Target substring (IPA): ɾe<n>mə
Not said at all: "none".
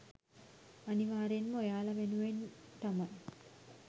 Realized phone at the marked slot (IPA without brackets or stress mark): n